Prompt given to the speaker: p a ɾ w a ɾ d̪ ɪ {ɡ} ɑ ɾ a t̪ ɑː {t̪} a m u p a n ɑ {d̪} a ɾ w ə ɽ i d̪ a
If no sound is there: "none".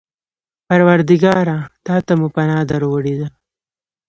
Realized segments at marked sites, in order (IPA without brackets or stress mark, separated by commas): ɡ, t̪, d̪